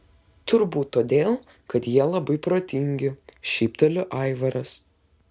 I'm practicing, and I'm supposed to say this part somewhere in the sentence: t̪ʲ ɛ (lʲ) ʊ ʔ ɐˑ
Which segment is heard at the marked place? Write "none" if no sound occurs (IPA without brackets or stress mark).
lʲ